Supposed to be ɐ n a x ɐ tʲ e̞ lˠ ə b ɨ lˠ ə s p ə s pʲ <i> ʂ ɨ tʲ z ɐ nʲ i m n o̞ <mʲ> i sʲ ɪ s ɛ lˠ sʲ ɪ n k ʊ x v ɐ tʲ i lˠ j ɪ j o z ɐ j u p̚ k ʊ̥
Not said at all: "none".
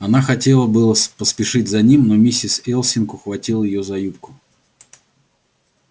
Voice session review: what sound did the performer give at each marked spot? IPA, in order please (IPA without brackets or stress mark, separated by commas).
ɪ, mʲ